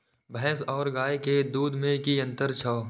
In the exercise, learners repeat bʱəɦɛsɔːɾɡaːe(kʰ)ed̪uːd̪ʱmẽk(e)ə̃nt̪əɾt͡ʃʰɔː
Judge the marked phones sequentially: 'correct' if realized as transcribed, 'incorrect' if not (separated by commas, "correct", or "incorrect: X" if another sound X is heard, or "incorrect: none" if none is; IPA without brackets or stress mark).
incorrect: k, incorrect: i